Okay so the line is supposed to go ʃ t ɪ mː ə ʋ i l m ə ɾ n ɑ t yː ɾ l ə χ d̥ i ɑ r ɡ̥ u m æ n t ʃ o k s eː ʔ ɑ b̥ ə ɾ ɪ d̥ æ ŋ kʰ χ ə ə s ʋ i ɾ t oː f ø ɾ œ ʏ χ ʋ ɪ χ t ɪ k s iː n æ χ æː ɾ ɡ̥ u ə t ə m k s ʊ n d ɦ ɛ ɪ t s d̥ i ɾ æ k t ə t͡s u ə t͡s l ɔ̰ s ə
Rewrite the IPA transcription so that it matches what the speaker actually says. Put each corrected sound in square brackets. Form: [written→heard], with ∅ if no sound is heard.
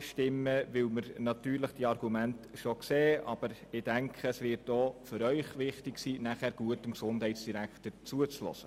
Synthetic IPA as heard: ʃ t ɪ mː ə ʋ [i→ɪ] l m ə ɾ n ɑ t yː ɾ l ə χ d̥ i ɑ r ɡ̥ u m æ n t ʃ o k s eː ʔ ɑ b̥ ə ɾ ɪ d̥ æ ŋ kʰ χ ə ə s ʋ [i→ɪ] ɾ t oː f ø ɾ œ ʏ χ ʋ ɪ χ t ɪ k s iː n æ χ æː ɾ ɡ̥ u ə t ə m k s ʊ n d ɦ ɛ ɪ t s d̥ i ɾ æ k t ə t͡s u ə t͡s l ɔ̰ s ə